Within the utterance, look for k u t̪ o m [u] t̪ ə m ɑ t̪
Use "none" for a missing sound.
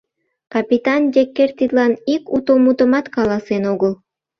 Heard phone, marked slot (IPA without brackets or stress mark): u